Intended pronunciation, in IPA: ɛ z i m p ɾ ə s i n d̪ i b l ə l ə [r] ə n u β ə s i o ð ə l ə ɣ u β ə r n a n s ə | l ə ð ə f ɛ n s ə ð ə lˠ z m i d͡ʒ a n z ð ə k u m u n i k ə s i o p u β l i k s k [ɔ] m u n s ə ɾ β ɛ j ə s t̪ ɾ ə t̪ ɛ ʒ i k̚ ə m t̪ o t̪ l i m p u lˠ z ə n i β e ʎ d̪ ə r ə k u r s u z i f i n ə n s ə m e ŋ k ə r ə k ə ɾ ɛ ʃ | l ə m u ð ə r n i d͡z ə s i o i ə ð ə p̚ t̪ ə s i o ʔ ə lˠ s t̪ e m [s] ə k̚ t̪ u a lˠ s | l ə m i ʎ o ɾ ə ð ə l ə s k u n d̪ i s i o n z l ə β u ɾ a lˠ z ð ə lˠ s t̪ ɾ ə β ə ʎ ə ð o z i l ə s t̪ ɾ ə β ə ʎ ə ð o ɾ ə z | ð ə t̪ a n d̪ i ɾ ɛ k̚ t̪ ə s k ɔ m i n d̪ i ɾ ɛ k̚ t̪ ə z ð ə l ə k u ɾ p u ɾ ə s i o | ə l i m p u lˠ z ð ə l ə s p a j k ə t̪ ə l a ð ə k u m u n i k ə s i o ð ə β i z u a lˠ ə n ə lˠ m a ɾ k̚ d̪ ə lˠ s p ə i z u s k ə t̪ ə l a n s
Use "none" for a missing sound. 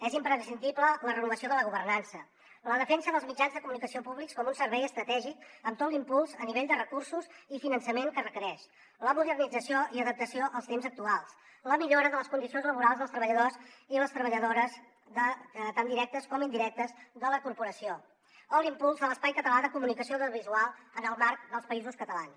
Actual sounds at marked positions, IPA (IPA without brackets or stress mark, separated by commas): r, ɔ, z